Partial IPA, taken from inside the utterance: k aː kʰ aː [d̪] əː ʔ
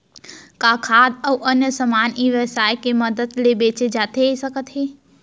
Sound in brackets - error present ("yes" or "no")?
no